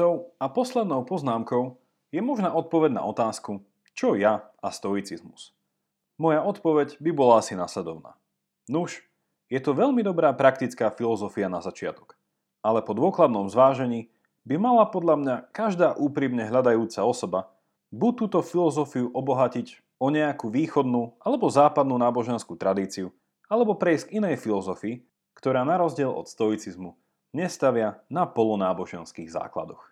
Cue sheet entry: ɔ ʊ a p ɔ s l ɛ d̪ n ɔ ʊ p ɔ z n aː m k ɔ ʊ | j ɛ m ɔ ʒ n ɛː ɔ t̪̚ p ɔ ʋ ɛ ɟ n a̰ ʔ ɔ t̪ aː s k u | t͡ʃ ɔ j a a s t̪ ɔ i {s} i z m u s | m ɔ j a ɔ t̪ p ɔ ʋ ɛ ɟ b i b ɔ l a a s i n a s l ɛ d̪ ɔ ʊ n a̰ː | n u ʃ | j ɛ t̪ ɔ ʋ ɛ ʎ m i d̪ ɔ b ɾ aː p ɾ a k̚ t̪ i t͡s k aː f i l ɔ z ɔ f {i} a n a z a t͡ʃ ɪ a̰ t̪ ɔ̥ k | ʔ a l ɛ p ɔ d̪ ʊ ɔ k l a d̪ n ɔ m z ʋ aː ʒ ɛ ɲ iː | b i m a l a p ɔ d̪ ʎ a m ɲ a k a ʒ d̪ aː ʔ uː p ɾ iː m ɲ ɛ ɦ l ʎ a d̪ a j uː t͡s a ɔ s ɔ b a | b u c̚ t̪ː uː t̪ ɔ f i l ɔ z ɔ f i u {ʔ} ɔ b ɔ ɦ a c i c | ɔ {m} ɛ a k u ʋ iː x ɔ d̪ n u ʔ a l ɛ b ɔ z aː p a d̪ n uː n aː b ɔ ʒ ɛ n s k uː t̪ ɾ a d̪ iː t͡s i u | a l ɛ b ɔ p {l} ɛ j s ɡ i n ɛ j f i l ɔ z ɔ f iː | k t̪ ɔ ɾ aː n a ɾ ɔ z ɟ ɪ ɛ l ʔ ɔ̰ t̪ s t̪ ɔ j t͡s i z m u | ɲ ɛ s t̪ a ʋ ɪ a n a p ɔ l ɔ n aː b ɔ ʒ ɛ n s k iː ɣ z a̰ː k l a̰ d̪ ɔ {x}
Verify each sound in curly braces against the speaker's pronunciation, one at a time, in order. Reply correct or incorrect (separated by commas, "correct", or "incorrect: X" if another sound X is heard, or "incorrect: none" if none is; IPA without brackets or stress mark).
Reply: incorrect: t͡s, correct, correct, incorrect: ɲ, incorrect: ɾ, correct